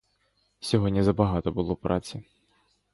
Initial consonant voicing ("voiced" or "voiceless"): voiceless